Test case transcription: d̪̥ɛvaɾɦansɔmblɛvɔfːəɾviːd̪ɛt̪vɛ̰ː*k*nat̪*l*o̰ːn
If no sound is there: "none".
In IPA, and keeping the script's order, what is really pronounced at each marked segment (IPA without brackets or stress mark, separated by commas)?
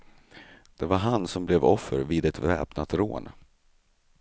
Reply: p, ɾ